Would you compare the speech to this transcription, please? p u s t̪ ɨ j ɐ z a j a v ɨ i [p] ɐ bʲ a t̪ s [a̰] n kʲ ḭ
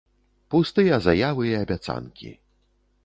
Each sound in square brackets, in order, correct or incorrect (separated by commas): incorrect, correct